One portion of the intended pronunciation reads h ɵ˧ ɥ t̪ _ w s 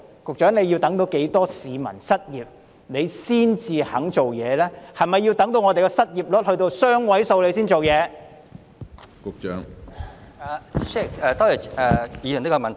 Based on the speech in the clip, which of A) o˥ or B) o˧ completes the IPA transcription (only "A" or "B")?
B